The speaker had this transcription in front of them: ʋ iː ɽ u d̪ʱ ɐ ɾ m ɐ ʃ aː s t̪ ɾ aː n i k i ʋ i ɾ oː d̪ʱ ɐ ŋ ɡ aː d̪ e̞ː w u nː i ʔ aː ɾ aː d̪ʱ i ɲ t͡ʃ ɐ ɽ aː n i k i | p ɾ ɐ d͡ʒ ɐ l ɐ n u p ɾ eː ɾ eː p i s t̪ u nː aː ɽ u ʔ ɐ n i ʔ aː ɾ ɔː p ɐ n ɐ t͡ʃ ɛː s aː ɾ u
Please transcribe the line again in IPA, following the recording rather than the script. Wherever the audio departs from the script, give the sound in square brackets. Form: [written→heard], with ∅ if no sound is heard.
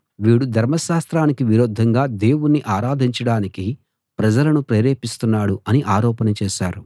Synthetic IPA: ʋ iː ɽ u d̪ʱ ɐ ɾ m ɐ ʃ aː s t̪ ɾ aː n i k i ʋ i ɾ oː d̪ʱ ɐ ŋ ɡ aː d̪ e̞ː w u nː i ʔ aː ɾ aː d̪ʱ i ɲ t͡ʃ ɐ ɽ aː n i k i | p ɾ ɐ d͡ʒ ɐ l ɐ n u p ɾ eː ɾ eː p i s t̪ u nː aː ɽ u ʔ ɐ n i ʔ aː ɾ ɔː p ɐ n ɐ t͡ʃ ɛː [s→ʃ] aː ɾ u

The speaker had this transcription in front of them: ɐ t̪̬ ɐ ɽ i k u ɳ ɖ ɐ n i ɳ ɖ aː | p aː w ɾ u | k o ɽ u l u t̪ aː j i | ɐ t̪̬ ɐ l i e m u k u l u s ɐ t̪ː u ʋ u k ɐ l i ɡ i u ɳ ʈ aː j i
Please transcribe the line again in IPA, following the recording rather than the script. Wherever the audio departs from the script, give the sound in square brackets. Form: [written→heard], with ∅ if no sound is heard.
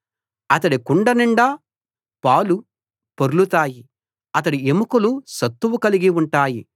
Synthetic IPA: ɐ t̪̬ ɐ ɽ i k u ɳ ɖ ɐ n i ɳ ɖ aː | p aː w [ɾ→l] u | [k→p] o [ɽ→ɾ] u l u t̪ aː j i | ɐ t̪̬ ɐ [l→ɽ] i e m u k u l u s ɐ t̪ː u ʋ u k ɐ l i ɡ i u ɳ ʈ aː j i

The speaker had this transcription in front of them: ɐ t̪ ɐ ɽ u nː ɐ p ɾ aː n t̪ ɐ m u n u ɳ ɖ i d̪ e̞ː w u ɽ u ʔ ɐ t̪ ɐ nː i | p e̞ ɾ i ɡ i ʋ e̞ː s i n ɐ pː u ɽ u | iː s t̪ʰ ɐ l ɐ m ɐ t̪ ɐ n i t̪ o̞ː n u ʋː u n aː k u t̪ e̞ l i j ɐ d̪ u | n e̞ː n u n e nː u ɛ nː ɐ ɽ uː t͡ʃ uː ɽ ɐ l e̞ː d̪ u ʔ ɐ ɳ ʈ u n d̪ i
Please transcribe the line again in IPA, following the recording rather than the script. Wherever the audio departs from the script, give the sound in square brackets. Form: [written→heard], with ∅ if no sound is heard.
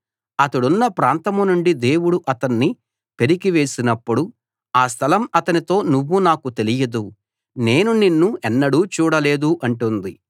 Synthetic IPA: ɐ t̪ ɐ ɽ u nː ɐ p ɾ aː n t̪ ɐ m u n u ɳ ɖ i d̪ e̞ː w u ɽ u ʔ ɐ t̪ ɐ nː i | p e̞ ɾ i ɡ i ʋ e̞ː s i n ɐ pː u ɽ u | [iː→aː] s t̪ʰ ɐ l ɐ m ɐ t̪ ɐ n i t̪ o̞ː n u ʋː u n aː k u t̪ e̞ l i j ɐ d̪ u | n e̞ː n u n [e→i] nː u ɛ nː ɐ ɽ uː t͡ʃ uː ɽ ɐ l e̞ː d̪ u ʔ ɐ ɳ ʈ u n d̪ i

